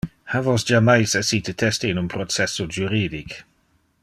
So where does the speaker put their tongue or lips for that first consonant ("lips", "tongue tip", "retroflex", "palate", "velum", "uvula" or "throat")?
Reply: throat